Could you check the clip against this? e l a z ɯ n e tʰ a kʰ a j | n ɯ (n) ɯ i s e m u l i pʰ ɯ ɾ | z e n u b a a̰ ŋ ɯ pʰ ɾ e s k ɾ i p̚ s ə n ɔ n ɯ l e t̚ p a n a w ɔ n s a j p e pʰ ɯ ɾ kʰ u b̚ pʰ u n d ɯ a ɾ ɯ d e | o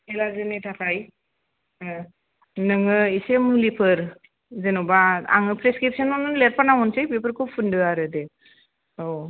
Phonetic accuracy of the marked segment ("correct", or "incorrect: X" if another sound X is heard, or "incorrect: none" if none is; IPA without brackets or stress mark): incorrect: ŋ